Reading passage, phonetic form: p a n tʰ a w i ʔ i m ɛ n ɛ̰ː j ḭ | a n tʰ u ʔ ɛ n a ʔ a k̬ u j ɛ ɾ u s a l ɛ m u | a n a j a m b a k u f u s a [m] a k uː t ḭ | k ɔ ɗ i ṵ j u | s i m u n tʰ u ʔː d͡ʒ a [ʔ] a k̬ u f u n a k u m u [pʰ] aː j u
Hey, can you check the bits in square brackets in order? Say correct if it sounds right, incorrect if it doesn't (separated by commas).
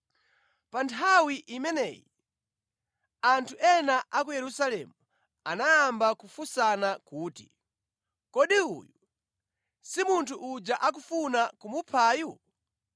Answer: incorrect, correct, correct